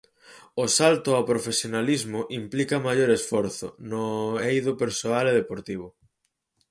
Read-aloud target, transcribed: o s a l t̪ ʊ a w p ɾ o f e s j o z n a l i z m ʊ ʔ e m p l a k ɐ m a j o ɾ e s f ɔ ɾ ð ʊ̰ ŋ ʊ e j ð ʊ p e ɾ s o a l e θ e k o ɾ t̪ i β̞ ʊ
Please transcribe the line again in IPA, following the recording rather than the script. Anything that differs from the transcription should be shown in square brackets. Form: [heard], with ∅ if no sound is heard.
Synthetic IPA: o s a l t̪ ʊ a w p ɾ o f e s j o [∅] n a l i z m ʊ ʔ [i] m p l [i] k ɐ m a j o ɾ e s f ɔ ɾ [θ] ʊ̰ [n] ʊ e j ð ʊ p e ɾ s o a l e [ð] e [p] o ɾ t̪ i β̞ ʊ